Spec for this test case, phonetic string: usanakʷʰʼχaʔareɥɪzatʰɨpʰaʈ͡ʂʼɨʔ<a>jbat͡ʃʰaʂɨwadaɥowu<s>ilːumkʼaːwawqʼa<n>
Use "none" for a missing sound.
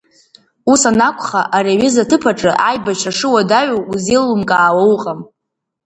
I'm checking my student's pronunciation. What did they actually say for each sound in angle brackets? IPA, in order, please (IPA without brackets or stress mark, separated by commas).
a, z, m